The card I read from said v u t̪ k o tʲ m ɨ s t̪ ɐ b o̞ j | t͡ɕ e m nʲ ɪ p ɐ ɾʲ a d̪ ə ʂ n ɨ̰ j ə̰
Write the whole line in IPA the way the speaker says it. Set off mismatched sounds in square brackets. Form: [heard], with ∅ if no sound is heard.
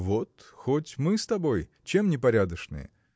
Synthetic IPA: v [o] t̪ [x] o tʲ m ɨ s t̪ ɐ b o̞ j | t͡ɕ e m nʲ ɪ p ɐ ɾʲ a d̪ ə ʂ n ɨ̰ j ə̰